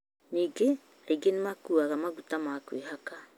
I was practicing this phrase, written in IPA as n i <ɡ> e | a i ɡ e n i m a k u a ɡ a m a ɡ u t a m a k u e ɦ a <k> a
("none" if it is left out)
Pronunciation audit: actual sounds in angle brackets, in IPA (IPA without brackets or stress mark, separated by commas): ɡ, k